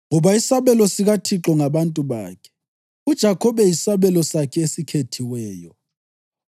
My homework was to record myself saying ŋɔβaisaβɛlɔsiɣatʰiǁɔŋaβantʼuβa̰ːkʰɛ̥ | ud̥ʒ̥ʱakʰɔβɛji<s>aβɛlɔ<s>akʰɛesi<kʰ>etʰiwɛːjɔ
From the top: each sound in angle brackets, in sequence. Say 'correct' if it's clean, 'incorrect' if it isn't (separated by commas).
correct, correct, correct